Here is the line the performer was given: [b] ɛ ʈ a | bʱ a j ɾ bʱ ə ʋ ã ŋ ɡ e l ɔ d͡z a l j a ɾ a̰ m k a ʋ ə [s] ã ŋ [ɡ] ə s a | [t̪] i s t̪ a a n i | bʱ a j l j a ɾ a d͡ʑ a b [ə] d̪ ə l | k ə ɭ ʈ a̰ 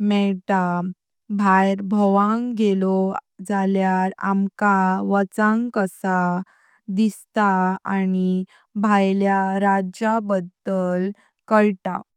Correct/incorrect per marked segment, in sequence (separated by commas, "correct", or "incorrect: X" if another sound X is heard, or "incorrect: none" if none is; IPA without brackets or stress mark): incorrect: m, incorrect: t͡s, incorrect: k, incorrect: d̪, correct